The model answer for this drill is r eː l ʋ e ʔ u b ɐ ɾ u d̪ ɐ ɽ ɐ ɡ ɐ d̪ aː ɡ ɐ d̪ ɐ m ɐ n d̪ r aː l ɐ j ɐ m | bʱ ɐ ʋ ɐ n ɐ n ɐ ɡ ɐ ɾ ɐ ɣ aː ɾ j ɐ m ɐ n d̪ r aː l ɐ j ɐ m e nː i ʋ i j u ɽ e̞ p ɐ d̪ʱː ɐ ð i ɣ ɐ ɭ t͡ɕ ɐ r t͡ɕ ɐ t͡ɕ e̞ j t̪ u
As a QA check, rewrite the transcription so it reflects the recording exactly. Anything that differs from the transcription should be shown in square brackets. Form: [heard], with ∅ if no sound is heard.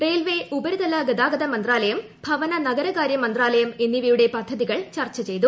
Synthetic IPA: r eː l ʋ e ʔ u b ɐ ɾ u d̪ ɐ [l] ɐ ɡ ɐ d̪ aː ɡ ɐ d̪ ɐ m ɐ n d̪ r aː l ɐ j ɐ m | bʱ ɐ ʋ ɐ n ɐ n ɐ ɡ ɐ ɾ ɐ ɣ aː ɾ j ɐ m ɐ n d̪ r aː l ɐ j ɐ m e nː i ʋ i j u ɽ e̞ p ɐ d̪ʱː ɐ ð i ɣ ɐ ɭ t͡ɕ ɐ r t͡ɕ ɐ t͡ɕ e̞ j t̪ u